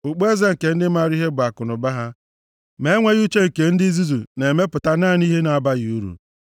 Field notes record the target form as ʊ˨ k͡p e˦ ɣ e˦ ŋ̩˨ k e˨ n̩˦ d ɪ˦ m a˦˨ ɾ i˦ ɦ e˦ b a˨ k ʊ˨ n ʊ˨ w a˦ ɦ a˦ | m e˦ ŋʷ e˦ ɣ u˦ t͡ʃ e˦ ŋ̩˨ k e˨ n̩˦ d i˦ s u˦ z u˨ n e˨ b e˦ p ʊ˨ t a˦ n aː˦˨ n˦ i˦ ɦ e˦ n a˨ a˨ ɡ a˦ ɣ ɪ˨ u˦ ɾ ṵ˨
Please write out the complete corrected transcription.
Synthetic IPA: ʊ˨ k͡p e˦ z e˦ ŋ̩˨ k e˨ n̩˦ d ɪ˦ m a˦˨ ɾ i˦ ɦ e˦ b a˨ k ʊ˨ n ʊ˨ b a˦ ɦ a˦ | m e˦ ŋʷ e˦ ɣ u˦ t͡ʃ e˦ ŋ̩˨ k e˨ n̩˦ d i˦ z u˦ z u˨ n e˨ m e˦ p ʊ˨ t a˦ n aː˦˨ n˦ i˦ ɦ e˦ n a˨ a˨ b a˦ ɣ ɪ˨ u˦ ɾ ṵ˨